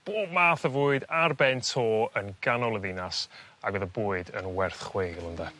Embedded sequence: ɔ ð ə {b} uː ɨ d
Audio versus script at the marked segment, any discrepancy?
no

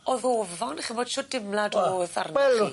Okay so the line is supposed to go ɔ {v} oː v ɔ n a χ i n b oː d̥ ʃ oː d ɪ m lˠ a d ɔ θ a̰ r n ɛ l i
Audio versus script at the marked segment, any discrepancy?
yes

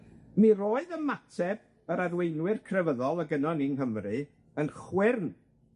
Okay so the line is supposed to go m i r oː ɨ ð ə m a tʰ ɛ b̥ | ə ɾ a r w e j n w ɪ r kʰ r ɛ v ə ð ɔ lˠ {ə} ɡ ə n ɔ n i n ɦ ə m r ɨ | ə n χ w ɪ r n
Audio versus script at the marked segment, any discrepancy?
no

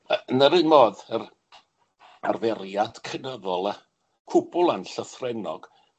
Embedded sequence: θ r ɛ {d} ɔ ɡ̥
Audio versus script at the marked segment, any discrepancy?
yes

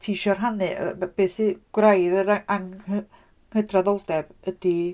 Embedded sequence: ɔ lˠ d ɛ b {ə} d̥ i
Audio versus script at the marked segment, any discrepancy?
no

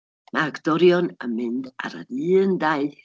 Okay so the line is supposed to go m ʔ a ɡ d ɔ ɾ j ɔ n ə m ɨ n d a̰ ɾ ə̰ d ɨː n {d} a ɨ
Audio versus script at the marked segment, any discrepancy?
no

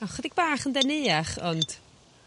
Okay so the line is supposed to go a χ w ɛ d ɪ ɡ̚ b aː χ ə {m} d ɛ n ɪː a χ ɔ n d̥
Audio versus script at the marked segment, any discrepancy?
yes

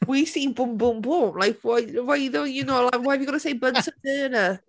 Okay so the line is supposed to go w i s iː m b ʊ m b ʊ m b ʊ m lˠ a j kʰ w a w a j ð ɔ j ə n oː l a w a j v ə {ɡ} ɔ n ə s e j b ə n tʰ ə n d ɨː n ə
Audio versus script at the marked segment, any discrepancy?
no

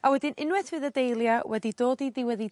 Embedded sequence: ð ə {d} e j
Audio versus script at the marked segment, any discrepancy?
no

